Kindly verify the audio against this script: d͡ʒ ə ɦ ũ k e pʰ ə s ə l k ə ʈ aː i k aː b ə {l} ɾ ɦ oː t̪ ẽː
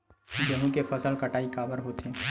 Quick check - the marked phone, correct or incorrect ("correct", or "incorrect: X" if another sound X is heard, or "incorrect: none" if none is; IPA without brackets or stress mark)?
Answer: incorrect: none